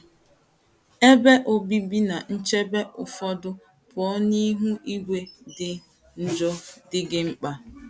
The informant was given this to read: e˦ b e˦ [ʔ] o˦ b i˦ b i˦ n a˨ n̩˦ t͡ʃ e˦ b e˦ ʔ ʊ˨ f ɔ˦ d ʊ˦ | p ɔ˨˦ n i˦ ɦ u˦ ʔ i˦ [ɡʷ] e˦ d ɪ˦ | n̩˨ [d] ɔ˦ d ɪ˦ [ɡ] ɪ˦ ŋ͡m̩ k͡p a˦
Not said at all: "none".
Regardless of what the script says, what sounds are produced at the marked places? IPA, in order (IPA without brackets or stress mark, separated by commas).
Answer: ʔ, ɡʷ, d͡ʒ, ɡ